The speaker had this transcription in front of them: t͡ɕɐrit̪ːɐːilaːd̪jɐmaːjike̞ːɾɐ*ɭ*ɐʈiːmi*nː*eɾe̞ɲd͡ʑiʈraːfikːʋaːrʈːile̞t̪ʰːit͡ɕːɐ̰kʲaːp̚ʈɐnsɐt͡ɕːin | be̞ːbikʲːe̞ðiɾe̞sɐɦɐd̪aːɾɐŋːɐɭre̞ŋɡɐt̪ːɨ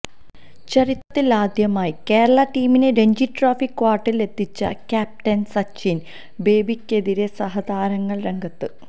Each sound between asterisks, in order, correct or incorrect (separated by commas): correct, incorrect